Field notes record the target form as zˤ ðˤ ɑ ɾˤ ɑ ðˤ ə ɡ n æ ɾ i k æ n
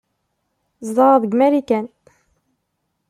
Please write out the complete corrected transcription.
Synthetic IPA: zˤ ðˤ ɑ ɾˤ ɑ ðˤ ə ɡ m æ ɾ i k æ n